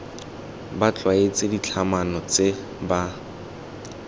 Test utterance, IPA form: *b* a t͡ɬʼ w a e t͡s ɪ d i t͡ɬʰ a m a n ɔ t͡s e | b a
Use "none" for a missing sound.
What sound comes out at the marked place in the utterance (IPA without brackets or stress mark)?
b